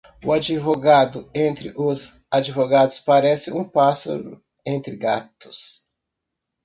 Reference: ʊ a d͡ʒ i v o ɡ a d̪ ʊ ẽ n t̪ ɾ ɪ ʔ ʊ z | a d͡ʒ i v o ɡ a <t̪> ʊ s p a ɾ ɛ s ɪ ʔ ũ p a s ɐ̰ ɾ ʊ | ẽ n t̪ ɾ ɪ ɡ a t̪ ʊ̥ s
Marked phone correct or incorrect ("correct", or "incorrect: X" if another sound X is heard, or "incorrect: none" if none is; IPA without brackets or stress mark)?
incorrect: d̪